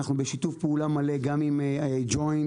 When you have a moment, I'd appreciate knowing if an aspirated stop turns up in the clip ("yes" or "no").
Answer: no